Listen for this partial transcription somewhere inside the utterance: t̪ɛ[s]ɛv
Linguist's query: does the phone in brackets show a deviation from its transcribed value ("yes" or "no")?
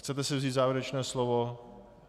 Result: no